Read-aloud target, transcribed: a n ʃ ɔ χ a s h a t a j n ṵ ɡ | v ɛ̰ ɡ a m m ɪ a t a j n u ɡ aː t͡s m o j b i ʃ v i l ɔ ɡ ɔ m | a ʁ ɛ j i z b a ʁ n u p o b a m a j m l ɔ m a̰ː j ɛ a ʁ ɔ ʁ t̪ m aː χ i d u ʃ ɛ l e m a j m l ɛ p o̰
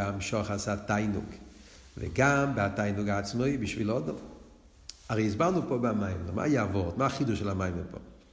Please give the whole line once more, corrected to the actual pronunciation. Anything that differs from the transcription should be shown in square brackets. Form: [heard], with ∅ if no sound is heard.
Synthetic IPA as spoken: a [m] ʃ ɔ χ a s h a t a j n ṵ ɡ | v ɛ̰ ɡ a m [b] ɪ a t a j n u ɡ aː t͡s m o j b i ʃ v i l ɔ [d] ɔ m | a ʁ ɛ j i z b a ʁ n u p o b a m a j m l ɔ m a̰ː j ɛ a [v] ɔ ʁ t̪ m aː χ i d u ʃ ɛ l [a] m a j m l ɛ p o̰